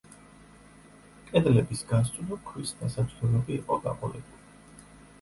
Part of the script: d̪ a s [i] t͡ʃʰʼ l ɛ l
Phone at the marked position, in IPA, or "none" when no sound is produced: a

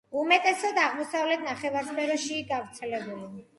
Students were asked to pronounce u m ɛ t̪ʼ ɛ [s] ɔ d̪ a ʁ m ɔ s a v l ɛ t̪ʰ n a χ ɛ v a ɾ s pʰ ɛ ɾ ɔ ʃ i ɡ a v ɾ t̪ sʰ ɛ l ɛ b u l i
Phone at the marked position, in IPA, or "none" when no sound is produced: s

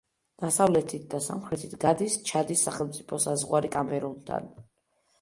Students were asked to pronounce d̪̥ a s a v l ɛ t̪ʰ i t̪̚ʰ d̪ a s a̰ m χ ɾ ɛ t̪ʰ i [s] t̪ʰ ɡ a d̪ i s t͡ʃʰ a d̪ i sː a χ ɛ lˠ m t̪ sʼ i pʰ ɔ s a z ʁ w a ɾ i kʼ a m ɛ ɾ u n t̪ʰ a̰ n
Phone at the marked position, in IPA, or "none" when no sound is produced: none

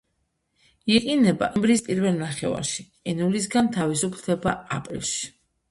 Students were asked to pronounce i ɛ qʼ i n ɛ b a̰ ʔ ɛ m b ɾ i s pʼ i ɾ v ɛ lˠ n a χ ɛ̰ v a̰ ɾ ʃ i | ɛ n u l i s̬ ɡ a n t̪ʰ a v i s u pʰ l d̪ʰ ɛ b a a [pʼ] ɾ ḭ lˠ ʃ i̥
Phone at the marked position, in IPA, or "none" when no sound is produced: pʼ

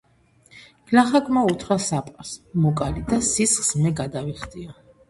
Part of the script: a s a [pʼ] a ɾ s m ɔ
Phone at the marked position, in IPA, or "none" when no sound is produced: pʼ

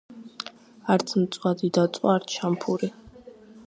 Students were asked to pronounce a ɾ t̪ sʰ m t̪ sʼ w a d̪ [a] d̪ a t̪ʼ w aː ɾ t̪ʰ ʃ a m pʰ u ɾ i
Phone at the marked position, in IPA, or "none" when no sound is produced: i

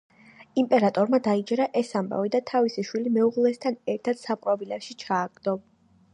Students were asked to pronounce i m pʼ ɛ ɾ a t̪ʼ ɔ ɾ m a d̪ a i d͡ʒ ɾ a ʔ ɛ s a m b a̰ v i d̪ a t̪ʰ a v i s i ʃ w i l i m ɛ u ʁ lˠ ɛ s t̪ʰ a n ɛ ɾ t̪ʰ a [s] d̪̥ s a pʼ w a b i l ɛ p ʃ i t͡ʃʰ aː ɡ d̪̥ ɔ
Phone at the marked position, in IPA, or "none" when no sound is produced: none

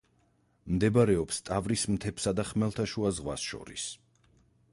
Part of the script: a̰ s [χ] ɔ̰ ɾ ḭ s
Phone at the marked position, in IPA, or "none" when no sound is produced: ʃ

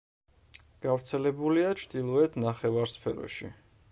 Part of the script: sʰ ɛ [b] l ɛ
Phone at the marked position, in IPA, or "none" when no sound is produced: none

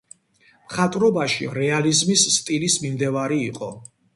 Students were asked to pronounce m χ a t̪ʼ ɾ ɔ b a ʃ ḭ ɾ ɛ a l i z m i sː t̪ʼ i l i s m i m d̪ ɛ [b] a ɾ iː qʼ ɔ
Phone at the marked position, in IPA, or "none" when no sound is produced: v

